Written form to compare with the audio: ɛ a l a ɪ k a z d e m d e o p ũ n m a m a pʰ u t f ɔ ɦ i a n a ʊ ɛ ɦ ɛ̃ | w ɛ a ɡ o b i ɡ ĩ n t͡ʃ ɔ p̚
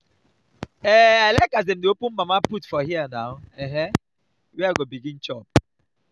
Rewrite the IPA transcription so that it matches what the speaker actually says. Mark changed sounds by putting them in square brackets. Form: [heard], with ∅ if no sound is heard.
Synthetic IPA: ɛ a l a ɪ k a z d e m d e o p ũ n m a m a [p] u t f ɔ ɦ i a n a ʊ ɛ ɦ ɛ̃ | w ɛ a ɡ o b i ɡ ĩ n t͡ʃ ɔ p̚